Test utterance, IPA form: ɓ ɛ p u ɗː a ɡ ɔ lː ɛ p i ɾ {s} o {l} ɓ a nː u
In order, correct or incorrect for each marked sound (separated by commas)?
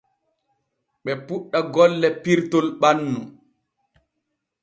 incorrect, correct